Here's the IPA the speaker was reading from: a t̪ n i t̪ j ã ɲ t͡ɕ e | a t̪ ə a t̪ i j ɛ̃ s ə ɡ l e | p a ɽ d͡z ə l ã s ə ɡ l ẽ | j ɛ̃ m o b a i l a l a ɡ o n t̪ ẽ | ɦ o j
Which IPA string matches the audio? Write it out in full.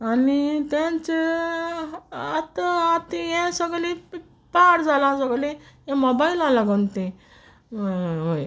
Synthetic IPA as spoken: a n i t̪ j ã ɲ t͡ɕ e | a t̪ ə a t̪ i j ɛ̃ s ə ɡ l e | p a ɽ d͡z a l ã s ə ɡ l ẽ | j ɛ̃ m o b a i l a l a ɡ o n t̪ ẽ | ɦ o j